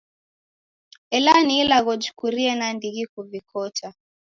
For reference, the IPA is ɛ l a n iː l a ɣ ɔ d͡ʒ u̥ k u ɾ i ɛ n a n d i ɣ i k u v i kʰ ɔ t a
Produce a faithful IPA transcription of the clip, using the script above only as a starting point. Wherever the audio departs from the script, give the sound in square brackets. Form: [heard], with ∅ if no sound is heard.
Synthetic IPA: ɛ l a n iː l a ɣ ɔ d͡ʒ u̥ k u ɾ i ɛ n a n d i ɣ i k u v i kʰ ɔ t a